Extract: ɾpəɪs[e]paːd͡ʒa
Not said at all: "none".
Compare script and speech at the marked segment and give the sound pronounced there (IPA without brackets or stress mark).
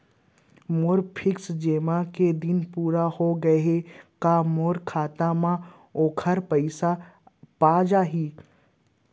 a